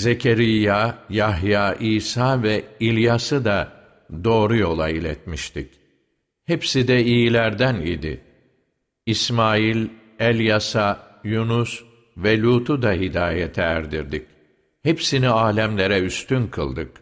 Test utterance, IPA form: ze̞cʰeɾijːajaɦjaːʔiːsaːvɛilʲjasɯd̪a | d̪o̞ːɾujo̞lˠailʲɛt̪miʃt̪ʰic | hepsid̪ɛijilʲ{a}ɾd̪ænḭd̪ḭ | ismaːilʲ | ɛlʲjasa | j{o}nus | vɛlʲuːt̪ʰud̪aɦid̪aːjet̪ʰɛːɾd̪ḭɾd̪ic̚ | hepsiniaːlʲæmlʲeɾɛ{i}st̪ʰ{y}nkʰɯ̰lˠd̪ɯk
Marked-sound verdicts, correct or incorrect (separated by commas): incorrect, incorrect, incorrect, correct